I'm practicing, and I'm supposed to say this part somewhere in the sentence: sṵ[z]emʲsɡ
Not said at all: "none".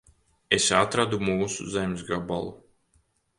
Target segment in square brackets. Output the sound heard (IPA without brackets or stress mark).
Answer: z